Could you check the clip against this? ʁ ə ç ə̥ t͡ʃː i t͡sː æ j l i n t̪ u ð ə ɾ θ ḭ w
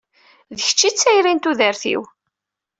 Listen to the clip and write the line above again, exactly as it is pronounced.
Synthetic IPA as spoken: ð ə ç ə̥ t͡ʃː i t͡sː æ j ɾ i n t̪ u ð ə ɾ θ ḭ w